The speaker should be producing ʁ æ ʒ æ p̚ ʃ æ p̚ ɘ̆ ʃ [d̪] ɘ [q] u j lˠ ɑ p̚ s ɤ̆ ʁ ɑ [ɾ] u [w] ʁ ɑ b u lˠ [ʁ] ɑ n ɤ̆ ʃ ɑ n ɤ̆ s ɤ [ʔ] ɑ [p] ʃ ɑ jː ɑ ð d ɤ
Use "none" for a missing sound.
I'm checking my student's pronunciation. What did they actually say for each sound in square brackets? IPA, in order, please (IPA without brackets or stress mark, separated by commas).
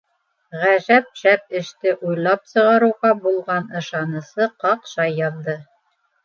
t̪, ʔ, ɾ, w, ʁ, q, q